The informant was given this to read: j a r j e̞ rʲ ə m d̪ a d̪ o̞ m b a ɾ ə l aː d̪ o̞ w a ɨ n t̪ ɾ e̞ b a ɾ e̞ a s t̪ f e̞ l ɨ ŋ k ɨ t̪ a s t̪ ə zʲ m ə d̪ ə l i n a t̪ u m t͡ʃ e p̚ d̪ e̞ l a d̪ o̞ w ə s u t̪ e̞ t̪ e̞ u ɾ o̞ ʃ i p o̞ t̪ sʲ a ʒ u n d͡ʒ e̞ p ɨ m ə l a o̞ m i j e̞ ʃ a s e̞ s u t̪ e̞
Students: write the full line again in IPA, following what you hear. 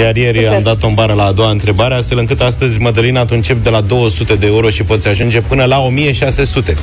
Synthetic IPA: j a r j e̞ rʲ a m d̪ a t̪ o̞ m b a ɾ ə l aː d̪ o̞ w a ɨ n t̪ ɾ e̞ b a ɾ e̞ a s t̪ f e̞ l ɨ ŋ k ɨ t̪ a s t̪ ə zʲ m ə d̪ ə l i n a t̪ u n t͡ʃ e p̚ d̪ e̞ l a d̪ o̞ w ə s u t̪ e̞ d̪ e̞ u ɾ o̞ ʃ i p o̞ t̪ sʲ a ʒ u n d͡ʒ e̞ p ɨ n ə l a o̞ m i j e̞ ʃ a s e̞ s u t̪ e̞